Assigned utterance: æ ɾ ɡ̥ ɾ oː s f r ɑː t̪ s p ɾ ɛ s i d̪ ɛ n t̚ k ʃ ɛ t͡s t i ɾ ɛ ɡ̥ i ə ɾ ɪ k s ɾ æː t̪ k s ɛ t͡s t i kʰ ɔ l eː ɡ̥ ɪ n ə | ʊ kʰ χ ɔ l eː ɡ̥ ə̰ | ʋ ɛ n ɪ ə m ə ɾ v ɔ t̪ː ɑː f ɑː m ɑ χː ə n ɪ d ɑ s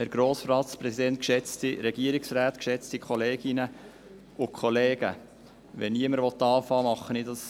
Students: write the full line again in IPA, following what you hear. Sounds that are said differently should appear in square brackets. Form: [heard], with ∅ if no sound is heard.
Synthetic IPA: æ ɾ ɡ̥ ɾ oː s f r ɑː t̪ s p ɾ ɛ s i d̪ ɛ n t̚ k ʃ ɛ t͡s t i ɾ ɛ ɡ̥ i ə ɾ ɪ k s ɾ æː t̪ k [ʃ] ɛ t͡s t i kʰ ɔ l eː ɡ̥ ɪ n ə | ʊ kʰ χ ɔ l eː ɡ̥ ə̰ | ʋ ɛ n [i] ə m ə ɾ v ɔ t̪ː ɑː f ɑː m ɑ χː ə n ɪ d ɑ s